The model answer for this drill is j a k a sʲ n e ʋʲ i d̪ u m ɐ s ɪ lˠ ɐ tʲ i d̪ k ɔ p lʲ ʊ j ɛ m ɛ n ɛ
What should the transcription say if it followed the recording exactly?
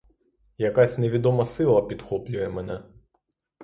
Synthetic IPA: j ɐ k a sʲ n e ʋʲ i d̪ ɔ m ɐ s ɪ lˠ ɐ pʲ i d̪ x ɔ p lʲ ʊ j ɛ m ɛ n ɛ